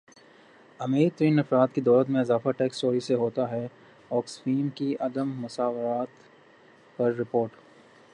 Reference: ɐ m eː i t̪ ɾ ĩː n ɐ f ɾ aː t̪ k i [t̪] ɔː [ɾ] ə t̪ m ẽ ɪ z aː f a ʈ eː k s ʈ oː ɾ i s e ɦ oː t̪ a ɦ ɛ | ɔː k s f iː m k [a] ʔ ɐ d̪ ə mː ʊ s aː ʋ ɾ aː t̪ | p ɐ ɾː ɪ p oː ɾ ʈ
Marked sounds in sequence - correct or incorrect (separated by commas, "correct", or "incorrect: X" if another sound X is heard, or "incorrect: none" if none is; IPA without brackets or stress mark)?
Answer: incorrect: d̪, incorrect: l, incorrect: i